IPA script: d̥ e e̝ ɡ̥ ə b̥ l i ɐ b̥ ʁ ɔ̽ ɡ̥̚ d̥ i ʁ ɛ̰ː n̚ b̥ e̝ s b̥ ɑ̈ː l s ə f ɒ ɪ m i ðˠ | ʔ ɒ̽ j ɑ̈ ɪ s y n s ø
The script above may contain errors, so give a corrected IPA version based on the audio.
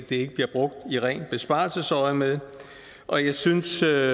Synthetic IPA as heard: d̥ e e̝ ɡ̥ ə b̥ l i ɐ b̥ ʁ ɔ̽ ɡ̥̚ d̥ i ʁ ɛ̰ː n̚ b̥ e̝ s b̥ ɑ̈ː l s ə s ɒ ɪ m e ðˠ | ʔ ɒ̽ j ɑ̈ ɪ s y n s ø